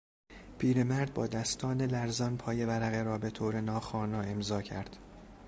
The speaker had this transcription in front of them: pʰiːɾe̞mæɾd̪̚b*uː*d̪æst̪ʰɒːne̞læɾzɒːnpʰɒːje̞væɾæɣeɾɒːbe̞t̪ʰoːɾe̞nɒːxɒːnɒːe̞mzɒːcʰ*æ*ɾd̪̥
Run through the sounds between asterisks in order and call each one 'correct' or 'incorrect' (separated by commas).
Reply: incorrect, correct